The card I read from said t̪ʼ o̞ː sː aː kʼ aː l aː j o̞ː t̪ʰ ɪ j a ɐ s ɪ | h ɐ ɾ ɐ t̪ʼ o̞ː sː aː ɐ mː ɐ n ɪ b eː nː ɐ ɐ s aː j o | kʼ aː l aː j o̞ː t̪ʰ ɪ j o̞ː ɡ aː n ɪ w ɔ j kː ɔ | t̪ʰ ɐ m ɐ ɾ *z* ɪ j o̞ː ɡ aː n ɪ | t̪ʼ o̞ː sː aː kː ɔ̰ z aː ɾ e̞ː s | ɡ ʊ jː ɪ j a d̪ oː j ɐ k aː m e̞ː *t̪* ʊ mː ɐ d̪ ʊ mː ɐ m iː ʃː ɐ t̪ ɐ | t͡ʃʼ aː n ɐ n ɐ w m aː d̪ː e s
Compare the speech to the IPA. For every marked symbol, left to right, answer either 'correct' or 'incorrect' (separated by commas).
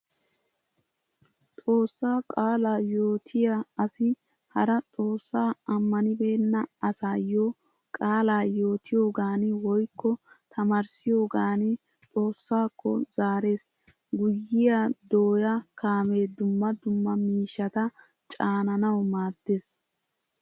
incorrect, incorrect